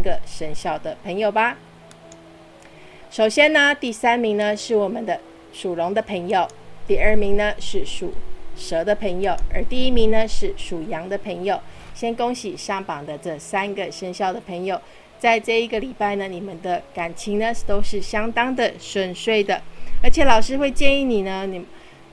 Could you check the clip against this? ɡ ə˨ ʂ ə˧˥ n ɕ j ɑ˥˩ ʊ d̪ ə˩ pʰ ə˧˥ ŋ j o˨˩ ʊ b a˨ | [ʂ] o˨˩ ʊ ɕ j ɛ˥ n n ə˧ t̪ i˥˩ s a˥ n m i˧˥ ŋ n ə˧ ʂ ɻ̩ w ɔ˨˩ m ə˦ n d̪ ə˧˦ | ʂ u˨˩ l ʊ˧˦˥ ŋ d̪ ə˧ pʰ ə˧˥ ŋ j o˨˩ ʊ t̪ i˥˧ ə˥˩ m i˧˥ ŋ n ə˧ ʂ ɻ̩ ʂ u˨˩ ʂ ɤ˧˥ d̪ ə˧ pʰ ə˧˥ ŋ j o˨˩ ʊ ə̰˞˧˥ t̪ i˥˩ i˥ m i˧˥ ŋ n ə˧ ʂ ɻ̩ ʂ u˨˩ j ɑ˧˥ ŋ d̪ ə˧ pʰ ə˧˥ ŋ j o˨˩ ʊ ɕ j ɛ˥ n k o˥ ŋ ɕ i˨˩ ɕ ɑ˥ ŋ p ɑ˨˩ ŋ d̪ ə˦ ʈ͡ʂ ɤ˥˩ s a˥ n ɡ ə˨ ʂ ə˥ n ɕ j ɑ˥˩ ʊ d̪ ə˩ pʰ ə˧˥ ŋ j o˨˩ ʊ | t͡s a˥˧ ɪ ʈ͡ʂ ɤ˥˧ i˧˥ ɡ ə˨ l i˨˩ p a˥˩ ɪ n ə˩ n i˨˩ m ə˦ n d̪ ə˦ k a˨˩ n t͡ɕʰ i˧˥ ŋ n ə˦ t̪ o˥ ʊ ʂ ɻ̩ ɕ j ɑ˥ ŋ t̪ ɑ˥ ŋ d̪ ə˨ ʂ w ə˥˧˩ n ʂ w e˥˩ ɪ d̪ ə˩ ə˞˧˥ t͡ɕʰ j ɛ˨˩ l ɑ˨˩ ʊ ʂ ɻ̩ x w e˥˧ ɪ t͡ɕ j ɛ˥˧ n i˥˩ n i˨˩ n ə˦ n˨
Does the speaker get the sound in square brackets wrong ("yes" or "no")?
no